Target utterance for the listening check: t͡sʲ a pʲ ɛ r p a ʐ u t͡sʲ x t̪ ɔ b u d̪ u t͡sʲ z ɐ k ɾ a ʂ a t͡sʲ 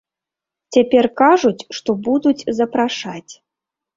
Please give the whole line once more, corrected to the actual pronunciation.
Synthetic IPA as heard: t͡sʲ a pʲ ɛ r k a ʐ u t͡sʲ ʂ t̪ ɔ b u d̪ u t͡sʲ z ɐ p ɾ a ʂ a t͡sʲ